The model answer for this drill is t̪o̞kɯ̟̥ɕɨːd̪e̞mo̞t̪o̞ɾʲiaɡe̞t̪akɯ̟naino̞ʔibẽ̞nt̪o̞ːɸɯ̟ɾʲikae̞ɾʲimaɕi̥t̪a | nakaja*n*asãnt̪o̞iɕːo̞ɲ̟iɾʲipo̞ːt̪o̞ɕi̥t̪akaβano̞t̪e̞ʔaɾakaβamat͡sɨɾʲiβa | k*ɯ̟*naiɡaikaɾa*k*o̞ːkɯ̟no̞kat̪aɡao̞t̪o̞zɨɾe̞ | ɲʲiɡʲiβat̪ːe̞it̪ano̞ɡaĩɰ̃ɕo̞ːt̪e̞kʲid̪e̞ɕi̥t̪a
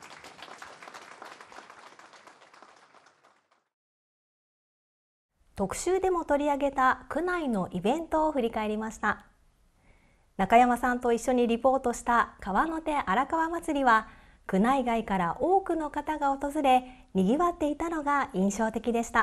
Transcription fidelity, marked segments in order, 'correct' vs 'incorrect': incorrect, correct, incorrect

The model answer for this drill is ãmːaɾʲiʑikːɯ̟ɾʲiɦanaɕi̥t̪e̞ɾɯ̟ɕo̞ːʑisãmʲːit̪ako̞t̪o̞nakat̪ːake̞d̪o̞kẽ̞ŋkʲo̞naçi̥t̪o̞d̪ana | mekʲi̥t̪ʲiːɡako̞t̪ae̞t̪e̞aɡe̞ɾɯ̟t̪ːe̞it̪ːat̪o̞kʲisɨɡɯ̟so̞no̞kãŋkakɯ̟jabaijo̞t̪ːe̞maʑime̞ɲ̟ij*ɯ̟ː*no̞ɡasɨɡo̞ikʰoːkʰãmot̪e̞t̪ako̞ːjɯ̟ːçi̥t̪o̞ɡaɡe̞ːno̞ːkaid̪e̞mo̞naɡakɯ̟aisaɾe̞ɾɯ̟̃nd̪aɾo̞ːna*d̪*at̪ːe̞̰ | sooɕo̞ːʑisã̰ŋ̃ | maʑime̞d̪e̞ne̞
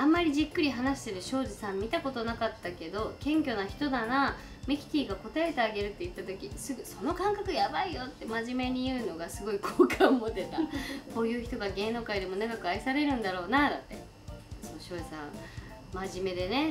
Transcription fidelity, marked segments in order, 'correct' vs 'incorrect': correct, correct

